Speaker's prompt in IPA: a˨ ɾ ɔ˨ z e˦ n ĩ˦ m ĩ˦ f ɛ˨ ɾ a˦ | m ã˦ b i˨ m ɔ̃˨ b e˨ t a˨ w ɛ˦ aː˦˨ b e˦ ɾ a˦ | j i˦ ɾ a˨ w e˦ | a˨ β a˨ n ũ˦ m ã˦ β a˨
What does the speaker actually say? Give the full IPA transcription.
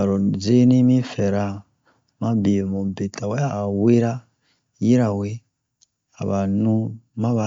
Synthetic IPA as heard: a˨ ɾ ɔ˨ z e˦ n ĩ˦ m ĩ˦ f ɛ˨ ɾ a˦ | m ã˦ b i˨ m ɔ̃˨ b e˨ t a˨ w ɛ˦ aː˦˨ w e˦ ɾ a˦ | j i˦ ɾ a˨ w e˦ | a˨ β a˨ n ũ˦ m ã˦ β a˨